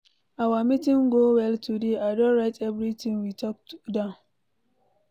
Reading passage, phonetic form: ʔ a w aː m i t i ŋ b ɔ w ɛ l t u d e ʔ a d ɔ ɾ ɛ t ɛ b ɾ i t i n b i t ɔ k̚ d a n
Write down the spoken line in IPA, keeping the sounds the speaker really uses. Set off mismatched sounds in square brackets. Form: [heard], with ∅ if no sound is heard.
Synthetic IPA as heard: ʔ a w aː m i t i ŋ [ɡ] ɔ w ɛ l t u d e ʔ a d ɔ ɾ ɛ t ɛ b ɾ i t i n [w] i t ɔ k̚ d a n